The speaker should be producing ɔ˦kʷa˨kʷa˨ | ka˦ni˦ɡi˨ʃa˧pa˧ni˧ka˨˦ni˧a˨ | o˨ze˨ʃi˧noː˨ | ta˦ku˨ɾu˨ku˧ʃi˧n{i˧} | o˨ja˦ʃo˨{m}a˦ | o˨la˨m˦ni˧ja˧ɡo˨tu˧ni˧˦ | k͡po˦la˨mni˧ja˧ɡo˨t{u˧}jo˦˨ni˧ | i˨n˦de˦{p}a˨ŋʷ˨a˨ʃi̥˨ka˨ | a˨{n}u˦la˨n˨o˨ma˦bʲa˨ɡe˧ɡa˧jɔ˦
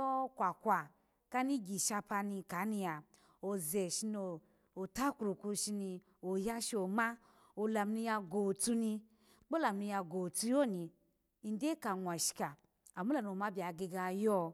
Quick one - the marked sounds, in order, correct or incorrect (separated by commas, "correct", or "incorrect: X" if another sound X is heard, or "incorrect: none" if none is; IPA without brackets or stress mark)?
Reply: correct, correct, correct, incorrect: k, incorrect: m